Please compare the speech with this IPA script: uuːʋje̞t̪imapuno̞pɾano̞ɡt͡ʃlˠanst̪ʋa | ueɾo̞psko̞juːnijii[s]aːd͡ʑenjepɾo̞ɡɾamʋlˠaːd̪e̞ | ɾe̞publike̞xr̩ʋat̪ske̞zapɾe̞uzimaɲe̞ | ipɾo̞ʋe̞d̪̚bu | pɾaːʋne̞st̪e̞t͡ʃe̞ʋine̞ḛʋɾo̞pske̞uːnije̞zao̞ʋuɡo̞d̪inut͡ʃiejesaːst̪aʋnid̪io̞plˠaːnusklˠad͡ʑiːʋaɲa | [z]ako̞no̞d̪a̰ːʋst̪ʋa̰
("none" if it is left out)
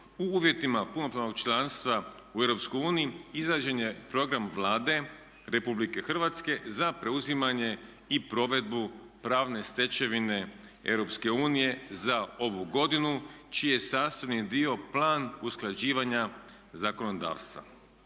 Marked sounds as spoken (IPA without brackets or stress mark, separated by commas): z, z